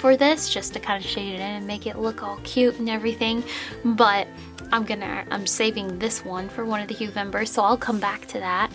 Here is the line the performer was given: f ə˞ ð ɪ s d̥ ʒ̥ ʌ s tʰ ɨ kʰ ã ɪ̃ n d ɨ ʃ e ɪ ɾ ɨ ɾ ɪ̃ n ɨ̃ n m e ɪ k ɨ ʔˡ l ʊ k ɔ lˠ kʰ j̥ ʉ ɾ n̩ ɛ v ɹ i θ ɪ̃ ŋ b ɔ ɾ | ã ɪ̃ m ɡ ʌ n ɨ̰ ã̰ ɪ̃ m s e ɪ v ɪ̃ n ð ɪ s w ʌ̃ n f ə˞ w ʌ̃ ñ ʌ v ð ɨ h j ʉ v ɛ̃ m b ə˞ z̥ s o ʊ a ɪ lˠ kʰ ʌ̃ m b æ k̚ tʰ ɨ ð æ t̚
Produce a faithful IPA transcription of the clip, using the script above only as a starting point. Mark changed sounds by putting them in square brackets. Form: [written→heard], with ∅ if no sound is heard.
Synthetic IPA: f ə˞ ð ɪ s d̥ ʒ̥ ʌ s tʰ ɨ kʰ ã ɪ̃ n d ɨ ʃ e ɪ ɾ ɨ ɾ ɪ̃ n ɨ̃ n m e ɪ k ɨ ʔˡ l ʊ k ɔ lˠ kʰ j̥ ʉ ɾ n̩ ɛ v ɹ i θ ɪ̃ ŋ b [ɔ→ʌ] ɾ | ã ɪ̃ m ɡ ʌ n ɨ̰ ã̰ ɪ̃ m s e ɪ v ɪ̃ [n→ŋ] ð ɪ s w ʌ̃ n f ə˞ w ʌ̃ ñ ʌ v ð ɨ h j ʉ v ɛ̃ m b ə˞ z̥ s o ʊ a ɪ lˠ kʰ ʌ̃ m b æ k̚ tʰ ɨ ð æ t̚